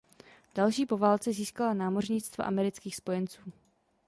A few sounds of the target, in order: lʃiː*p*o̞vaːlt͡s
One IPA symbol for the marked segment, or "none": p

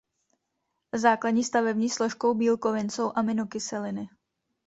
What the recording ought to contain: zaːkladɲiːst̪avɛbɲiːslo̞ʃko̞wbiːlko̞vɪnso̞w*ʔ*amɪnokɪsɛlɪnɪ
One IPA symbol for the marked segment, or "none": ʔ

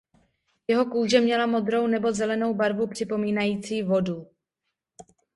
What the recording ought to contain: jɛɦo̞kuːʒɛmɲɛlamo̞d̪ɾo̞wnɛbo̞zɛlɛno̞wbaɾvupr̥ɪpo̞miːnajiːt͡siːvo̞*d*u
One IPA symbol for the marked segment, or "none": d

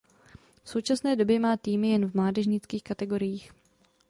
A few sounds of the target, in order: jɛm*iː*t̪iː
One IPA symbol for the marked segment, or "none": aː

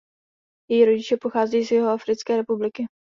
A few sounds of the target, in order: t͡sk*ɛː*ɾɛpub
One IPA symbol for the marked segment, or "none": ɛː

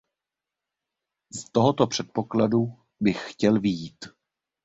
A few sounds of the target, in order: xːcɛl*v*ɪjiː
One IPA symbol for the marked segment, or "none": v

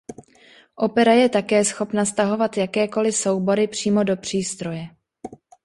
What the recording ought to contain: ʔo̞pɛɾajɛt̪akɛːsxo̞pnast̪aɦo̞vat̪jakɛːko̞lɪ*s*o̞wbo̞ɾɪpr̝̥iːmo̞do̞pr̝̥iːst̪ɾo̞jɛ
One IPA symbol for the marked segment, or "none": s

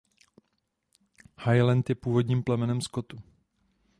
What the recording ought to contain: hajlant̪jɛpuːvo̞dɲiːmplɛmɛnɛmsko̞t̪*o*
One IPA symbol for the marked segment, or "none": u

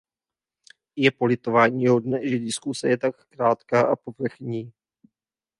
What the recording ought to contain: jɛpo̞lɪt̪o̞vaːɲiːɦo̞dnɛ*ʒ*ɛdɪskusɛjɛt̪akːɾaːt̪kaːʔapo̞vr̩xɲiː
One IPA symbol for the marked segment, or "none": ʒ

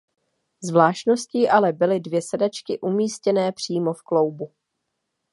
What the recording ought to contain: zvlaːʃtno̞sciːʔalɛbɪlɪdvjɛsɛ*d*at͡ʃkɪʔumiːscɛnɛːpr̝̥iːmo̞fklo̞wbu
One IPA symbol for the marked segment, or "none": d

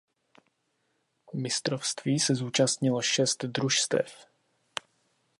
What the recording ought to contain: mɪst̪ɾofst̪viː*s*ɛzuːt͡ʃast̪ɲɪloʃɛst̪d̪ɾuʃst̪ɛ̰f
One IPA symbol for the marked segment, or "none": s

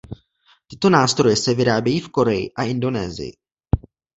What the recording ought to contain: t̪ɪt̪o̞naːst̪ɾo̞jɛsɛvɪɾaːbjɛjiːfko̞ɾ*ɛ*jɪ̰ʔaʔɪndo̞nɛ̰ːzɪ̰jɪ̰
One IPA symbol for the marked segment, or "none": ɛ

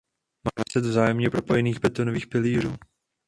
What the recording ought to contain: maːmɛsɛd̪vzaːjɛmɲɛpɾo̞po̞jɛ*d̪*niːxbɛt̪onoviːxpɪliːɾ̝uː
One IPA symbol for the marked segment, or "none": none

